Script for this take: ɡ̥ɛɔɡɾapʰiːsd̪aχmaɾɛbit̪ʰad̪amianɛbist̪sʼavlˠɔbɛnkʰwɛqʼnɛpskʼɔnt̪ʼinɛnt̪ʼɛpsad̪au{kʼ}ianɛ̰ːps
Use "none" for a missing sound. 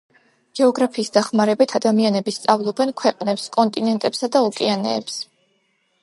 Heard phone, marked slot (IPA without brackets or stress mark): kʼ